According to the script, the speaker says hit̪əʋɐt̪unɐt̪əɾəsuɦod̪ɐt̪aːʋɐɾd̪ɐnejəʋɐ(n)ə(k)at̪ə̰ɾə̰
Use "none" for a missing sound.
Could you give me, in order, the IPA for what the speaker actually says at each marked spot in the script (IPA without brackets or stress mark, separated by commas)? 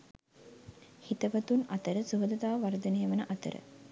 n, ʔ